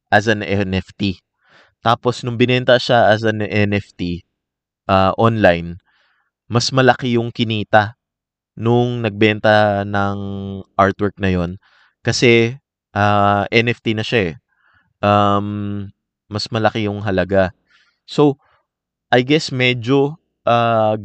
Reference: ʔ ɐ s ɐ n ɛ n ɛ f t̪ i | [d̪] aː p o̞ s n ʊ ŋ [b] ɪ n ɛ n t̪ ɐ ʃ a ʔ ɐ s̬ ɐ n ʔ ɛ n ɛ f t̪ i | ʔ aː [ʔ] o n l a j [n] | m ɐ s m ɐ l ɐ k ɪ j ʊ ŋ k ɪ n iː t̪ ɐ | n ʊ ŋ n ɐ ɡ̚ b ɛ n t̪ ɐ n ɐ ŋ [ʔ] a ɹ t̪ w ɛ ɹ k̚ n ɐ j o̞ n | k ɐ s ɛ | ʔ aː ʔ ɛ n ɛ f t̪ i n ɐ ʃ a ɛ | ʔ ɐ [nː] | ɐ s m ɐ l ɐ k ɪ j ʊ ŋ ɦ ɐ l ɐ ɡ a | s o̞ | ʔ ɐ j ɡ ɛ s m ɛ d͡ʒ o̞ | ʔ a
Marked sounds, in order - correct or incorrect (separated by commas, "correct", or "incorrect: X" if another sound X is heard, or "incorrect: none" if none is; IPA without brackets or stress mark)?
incorrect: t̪, correct, correct, correct, correct, incorrect: mː